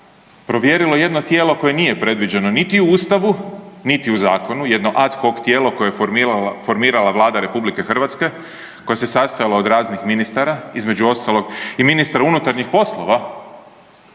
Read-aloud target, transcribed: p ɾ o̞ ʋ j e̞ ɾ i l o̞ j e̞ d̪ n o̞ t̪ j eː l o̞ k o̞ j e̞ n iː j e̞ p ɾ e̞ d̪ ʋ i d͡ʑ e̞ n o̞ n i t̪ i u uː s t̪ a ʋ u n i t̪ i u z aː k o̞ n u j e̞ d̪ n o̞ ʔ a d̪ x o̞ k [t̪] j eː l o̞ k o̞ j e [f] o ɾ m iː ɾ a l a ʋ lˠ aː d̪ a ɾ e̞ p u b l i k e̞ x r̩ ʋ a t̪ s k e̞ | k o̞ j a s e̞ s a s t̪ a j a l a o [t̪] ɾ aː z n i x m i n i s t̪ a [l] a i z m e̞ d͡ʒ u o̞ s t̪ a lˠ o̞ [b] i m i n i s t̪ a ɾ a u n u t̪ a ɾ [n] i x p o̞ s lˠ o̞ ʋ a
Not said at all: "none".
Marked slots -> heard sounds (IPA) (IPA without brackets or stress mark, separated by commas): t̪, f, d̪, ɾ, ɡ, ɲ